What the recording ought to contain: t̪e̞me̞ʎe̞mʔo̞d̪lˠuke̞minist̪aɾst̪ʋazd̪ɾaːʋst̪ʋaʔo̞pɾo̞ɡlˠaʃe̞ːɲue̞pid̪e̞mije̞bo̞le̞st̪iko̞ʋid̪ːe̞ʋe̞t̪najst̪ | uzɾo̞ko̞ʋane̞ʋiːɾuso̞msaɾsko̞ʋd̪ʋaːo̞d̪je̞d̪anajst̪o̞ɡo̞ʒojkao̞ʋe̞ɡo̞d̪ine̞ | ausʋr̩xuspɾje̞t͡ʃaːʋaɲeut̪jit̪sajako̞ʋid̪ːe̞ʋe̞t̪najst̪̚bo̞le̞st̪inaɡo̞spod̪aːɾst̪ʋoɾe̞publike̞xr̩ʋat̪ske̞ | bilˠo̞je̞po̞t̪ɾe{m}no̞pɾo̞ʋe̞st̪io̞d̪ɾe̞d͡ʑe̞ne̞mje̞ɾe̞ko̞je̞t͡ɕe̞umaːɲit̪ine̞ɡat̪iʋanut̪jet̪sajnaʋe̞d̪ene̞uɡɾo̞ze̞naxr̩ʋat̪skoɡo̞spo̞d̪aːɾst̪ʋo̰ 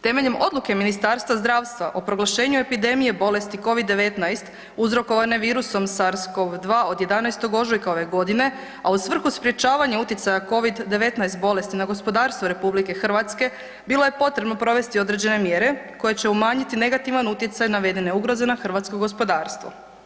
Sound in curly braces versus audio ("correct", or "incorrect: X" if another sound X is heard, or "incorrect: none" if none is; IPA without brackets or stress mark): incorrect: b